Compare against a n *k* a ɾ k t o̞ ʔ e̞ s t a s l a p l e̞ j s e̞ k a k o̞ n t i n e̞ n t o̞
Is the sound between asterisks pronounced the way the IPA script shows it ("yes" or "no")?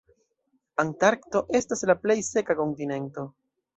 no